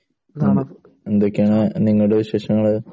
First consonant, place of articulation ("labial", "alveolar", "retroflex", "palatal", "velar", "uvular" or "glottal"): alveolar